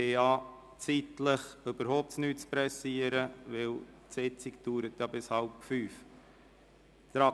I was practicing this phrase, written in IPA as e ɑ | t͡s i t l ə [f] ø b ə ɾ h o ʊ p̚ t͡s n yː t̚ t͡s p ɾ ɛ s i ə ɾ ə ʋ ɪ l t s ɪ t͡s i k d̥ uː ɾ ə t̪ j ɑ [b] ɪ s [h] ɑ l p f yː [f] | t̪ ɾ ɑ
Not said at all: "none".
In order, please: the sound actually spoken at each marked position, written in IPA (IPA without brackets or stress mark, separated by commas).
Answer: χ, b, h, f